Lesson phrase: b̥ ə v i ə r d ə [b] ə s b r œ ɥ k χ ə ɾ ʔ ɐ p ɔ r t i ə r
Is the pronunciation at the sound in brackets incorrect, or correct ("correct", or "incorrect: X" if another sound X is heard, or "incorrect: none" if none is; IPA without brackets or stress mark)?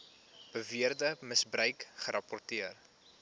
incorrect: m